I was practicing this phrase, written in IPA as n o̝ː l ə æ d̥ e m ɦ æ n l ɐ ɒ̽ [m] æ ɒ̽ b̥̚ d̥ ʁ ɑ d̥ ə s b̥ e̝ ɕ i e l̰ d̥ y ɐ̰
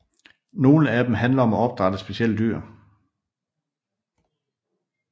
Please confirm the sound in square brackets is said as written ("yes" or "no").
yes